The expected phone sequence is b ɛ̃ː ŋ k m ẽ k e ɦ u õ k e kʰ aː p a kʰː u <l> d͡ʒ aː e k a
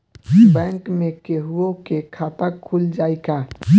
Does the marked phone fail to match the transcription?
no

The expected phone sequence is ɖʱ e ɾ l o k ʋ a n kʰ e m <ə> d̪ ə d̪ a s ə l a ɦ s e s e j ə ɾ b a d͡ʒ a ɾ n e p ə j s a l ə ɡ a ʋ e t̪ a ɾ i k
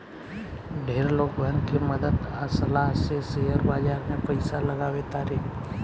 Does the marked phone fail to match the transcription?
no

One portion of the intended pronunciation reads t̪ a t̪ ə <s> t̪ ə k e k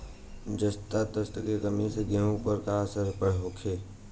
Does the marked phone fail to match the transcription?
no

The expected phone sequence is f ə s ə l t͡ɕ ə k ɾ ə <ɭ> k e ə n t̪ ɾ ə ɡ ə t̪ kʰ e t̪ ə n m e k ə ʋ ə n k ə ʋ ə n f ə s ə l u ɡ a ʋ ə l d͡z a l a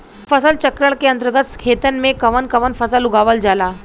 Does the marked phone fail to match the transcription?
no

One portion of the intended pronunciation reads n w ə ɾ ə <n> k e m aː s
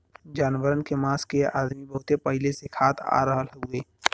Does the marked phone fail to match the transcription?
no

